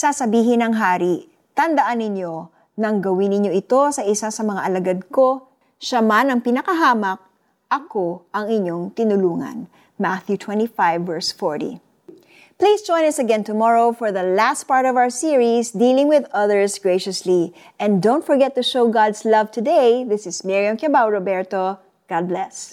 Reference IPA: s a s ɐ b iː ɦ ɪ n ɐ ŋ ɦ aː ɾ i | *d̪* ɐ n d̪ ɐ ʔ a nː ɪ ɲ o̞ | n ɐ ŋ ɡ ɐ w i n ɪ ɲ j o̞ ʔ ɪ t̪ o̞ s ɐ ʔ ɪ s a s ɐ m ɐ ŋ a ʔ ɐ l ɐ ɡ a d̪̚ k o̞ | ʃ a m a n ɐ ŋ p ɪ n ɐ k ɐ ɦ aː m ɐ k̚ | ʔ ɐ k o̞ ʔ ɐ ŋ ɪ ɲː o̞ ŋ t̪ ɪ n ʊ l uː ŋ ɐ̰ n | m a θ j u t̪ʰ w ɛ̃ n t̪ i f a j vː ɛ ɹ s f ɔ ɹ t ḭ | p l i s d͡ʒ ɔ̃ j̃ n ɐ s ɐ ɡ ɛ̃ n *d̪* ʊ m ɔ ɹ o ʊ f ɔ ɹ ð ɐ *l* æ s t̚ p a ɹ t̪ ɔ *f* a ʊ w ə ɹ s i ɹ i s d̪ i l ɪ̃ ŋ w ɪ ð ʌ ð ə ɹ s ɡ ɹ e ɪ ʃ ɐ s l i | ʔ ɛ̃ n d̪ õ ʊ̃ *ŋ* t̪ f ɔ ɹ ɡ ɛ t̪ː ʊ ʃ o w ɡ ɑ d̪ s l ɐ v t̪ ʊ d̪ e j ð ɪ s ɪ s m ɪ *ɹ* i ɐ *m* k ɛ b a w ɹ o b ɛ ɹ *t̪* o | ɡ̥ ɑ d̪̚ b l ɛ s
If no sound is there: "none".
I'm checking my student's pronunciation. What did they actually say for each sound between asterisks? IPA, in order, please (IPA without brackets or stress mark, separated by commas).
t̪, t̪, l, v, n, ɹ, m, t̪